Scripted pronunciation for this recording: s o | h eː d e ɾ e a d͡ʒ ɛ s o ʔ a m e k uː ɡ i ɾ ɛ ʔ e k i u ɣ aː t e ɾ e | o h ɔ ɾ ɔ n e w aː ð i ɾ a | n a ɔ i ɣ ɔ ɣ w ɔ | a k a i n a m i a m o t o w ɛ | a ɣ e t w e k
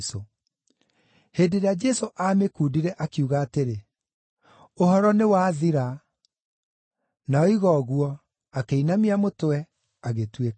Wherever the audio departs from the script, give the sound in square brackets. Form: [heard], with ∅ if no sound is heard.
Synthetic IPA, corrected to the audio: s o | h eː d e ɾ e a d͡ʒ ɛ s o ʔ a m e k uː [d] i ɾ ɛ ʔ [a] k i u ɣ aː t e ɾ e | o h ɔ ɾ ɔ n e w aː ð i ɾ a | n a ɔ i ɣ ɔ ɣ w ɔ | a k [e] i n a m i a m o t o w ɛ | a ɣ e t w e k